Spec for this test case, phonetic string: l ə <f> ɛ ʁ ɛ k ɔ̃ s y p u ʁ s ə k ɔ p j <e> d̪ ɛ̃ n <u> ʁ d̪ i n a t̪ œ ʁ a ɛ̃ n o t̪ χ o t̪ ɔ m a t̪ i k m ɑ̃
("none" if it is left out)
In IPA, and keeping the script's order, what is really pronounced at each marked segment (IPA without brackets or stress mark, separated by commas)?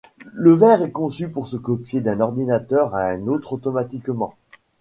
v, e, ɔ